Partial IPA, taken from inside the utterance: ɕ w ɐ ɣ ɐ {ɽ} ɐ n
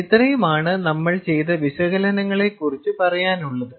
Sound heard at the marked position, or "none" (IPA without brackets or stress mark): l